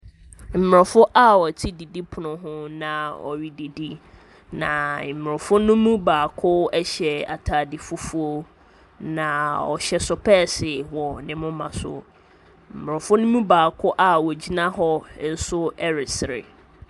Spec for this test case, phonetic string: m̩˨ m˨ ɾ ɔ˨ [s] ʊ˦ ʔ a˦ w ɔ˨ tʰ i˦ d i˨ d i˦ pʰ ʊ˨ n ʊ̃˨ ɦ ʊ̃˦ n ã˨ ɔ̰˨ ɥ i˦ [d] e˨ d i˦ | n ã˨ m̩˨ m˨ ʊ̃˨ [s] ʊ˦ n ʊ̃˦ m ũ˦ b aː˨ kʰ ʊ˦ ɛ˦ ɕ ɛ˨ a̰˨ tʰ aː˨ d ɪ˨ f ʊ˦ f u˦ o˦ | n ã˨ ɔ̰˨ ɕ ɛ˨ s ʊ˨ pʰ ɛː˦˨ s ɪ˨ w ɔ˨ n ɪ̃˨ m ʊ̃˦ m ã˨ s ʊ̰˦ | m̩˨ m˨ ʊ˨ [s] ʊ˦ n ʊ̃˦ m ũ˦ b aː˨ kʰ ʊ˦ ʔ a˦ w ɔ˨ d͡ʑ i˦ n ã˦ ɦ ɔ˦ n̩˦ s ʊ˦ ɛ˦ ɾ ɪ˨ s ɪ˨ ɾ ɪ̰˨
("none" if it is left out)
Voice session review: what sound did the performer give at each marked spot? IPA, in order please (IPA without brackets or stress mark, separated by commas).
f, d, f, f